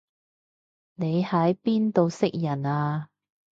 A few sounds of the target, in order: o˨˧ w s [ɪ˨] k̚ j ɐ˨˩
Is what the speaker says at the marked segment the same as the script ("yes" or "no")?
no